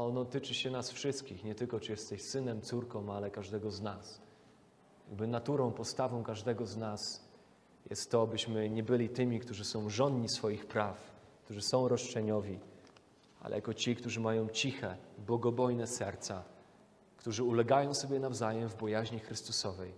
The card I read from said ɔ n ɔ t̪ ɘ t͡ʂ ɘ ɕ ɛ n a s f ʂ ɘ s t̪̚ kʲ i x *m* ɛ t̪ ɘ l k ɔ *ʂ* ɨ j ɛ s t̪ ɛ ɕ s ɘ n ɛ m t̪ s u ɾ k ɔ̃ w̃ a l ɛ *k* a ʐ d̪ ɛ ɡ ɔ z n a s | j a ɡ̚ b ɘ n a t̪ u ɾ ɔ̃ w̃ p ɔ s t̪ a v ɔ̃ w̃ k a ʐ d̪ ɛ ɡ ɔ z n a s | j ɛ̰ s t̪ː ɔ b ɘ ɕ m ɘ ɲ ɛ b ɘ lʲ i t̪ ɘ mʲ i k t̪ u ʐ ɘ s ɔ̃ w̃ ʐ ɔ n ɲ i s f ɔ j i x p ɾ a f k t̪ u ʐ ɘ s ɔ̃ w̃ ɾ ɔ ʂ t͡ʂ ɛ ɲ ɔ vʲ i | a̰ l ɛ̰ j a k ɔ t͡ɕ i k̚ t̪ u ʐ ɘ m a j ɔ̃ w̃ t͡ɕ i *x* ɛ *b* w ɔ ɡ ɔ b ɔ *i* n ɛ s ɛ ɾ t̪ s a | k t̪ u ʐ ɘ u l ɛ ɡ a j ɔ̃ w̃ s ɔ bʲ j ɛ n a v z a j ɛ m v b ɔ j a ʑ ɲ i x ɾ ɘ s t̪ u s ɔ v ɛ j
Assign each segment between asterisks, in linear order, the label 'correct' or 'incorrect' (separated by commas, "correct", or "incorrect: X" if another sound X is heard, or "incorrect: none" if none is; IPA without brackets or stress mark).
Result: incorrect: ɲ, incorrect: t͡ʂ, correct, correct, correct, incorrect: j